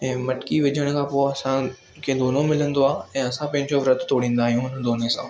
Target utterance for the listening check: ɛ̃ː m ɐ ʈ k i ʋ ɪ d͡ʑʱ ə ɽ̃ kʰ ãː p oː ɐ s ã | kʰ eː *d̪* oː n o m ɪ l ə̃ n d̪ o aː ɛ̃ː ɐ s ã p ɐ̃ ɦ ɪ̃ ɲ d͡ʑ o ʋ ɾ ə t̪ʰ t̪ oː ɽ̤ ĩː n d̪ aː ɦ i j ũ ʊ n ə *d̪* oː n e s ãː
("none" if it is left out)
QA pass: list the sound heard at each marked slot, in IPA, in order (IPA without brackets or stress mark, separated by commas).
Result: d̪, d̪